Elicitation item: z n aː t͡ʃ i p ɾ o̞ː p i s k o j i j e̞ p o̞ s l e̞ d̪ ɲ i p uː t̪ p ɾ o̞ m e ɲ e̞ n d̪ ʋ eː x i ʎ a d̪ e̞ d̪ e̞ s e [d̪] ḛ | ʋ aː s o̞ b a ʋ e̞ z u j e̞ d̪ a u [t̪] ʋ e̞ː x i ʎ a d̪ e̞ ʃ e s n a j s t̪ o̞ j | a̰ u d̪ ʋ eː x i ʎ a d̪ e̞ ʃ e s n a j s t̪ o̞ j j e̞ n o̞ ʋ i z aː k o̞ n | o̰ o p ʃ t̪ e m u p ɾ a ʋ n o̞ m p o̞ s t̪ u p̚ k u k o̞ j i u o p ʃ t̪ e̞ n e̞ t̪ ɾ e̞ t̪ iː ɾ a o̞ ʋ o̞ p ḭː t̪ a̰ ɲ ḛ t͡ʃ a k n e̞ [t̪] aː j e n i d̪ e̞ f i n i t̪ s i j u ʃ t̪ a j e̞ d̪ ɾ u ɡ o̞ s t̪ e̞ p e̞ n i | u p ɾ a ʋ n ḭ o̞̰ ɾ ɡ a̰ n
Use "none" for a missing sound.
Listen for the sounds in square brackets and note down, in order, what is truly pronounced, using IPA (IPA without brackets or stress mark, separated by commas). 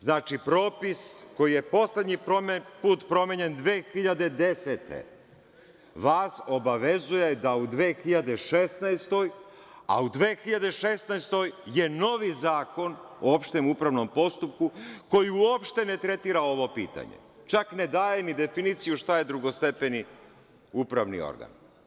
t̪, d̪, d̪